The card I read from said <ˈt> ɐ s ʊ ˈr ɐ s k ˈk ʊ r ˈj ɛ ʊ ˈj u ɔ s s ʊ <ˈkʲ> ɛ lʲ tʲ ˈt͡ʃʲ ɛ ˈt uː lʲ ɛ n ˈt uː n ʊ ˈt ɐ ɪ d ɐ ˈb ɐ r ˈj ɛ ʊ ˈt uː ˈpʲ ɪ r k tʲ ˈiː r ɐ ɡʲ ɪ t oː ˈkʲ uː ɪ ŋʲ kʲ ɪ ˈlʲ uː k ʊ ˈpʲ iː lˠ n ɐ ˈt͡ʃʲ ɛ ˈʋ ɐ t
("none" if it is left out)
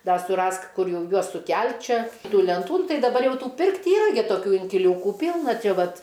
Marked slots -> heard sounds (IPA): d, kʲ

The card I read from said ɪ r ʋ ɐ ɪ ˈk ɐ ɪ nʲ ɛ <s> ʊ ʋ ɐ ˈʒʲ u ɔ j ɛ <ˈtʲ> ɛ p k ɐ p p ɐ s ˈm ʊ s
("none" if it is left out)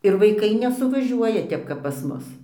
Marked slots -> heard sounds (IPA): s, tʲ

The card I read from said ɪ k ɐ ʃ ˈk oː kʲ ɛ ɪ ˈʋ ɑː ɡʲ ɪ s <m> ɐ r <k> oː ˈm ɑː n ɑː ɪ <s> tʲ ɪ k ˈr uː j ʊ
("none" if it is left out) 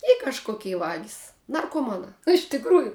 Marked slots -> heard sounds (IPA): n, k, ʃ

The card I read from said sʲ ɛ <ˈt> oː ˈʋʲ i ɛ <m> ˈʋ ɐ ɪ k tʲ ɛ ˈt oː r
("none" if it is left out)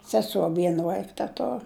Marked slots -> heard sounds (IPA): s, n

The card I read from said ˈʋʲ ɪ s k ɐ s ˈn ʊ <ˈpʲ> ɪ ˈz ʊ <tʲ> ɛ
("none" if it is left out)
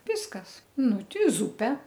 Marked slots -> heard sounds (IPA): tʲ, pʲ

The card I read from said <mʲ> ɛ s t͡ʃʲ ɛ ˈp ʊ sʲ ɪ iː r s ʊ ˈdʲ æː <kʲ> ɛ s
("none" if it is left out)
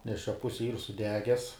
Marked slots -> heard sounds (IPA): nʲ, ɡʲ

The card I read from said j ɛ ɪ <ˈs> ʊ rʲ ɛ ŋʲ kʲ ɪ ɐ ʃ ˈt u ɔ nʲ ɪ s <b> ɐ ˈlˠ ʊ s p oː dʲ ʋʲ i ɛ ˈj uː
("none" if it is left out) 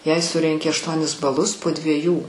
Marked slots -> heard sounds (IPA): s, b

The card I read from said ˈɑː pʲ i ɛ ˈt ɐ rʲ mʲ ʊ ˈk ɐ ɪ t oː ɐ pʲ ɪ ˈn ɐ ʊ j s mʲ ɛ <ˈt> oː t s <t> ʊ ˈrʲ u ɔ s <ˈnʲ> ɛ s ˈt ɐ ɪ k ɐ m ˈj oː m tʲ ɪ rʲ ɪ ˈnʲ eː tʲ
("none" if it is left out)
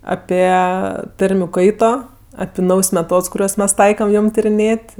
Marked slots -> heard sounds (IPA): t, k, mʲ

